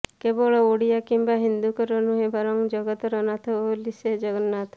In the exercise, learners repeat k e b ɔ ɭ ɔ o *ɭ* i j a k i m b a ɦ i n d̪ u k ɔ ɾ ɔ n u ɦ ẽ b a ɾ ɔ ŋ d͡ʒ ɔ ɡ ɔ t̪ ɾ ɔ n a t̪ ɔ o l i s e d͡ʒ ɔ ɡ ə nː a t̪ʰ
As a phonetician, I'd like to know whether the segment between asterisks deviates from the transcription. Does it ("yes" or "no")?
yes